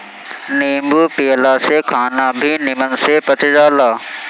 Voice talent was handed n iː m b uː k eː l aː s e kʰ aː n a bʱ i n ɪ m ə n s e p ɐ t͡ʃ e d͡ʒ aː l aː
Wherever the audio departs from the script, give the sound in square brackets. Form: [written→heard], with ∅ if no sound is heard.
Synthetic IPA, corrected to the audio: n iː m b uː [k→p] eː l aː s e kʰ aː n a bʱ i n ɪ m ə n s e p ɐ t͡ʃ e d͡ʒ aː l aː